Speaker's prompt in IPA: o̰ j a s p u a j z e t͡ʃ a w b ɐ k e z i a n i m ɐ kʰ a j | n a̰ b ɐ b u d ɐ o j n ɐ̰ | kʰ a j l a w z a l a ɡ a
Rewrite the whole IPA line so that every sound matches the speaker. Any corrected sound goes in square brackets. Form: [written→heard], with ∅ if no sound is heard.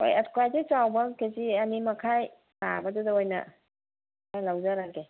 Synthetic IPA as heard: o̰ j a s [p→k] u a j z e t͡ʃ a w b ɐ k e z i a n i m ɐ kʰ a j | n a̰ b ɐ [b→d] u d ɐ o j n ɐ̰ | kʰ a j l a w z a [l→ɾ] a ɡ [a→e]